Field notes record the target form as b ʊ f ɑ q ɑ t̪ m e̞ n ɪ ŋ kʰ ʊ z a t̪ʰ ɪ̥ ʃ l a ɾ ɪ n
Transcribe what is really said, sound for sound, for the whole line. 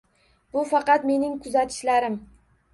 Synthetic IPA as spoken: b ʊ f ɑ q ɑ t̪ m e̞ n ɪ ŋ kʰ ʊ z a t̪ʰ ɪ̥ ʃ l a ɾ ɪ m